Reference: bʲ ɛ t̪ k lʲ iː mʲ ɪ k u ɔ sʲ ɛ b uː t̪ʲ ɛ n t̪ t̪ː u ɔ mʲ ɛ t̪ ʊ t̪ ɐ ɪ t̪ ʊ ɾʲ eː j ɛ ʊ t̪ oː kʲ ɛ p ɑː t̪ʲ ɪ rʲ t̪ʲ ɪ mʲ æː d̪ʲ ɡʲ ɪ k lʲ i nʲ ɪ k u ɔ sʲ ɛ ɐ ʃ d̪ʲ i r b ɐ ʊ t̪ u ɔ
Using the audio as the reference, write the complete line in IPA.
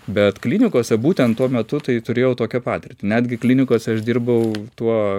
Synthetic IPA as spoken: bʲ ɛ t̪ k lʲ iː nʲ ɪ k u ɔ sʲ ɛ b uː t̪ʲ ɛ n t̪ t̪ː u ɔ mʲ ɛ t̪ ʊ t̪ ɐ ɪ t̪ ʊ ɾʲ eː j ɛ ʊ t̪ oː kʲ ɛ p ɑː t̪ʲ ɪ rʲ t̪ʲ ɪ nʲ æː d̪ʲ ɡʲ ɪ k lʲ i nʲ ɪ k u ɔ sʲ ɛ ɐ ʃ d̪ʲ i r b ɐ ʊ t̪ u ɔ